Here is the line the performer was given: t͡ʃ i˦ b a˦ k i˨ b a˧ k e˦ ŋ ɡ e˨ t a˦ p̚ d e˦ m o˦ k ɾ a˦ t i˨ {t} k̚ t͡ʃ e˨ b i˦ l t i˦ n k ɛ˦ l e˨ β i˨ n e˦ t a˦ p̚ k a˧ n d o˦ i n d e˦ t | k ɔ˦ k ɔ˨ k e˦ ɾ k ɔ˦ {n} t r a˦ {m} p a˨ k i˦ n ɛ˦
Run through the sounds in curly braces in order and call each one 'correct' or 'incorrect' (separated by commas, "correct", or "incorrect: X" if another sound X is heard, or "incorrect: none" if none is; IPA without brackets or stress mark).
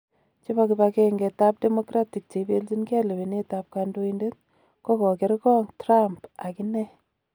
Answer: incorrect: none, incorrect: ŋ, correct